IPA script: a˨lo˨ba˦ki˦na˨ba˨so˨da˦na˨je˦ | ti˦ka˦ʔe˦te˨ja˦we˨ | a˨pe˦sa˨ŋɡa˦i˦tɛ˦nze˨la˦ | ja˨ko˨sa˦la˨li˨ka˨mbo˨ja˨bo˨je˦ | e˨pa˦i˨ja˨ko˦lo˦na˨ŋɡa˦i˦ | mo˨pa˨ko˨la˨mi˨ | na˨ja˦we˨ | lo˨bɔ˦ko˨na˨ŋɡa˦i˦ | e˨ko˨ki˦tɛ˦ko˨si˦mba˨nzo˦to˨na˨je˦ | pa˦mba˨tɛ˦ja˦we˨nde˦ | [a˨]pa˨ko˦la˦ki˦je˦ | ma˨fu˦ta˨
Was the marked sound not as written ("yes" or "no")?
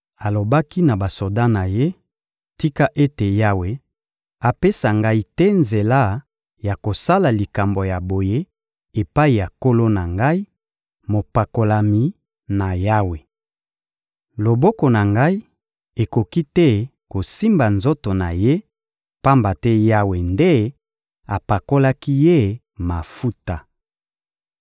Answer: no